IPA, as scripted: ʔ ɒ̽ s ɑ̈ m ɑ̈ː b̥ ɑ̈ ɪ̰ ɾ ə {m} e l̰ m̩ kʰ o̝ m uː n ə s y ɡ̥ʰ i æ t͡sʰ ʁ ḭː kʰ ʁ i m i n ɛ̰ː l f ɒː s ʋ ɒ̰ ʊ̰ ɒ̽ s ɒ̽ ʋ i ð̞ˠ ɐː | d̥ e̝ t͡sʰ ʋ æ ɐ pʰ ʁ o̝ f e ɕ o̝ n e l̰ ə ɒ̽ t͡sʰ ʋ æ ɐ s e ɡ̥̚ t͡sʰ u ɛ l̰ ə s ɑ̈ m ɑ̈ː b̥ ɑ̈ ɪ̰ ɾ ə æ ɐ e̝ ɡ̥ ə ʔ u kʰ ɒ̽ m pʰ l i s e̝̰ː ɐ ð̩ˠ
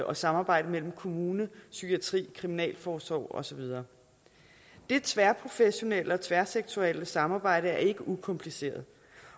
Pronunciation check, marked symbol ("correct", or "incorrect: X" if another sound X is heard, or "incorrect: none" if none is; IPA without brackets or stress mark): correct